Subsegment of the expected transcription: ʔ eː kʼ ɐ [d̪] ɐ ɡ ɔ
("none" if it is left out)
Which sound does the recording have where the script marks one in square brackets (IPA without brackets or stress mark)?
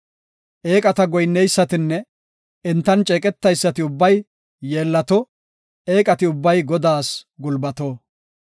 t̪